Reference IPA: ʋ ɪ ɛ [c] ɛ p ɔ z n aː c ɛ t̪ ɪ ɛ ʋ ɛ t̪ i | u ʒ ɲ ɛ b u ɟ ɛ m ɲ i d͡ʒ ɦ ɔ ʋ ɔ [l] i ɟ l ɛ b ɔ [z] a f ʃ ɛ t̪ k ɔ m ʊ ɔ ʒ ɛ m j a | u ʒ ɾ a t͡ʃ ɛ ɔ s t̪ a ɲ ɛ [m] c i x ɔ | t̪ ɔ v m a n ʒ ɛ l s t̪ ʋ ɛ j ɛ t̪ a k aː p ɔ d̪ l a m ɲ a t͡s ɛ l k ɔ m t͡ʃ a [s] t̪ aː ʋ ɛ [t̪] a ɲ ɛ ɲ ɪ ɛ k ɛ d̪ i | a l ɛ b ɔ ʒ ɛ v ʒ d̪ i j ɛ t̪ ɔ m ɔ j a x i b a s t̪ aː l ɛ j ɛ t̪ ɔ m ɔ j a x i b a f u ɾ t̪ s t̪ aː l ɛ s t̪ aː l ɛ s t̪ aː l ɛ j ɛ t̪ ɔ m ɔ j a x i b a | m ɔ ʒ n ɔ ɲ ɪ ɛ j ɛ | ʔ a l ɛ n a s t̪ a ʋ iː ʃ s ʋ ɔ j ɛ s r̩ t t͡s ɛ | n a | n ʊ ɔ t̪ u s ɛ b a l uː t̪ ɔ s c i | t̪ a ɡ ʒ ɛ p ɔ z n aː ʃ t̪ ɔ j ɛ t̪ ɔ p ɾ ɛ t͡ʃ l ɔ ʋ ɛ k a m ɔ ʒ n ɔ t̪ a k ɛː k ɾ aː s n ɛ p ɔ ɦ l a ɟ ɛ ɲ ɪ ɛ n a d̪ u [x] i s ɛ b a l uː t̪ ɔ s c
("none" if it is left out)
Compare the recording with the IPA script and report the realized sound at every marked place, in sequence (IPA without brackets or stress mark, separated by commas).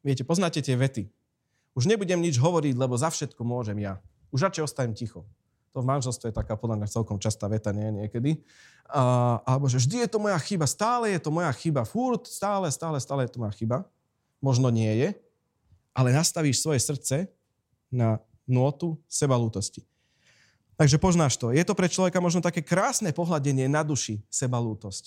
c, ɾ, z, m, s, t̪, ʃ